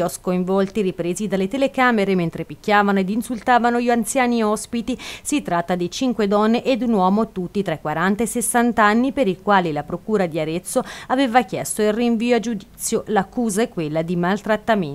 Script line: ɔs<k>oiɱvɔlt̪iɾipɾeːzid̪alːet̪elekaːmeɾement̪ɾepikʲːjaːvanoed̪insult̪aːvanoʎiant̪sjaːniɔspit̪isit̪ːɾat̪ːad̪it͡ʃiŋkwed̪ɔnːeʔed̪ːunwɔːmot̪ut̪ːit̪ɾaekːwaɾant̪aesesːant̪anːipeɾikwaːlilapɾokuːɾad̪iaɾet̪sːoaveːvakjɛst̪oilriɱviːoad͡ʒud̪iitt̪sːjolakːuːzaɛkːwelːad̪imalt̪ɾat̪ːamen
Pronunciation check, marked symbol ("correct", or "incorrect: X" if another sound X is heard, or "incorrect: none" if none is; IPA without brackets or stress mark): correct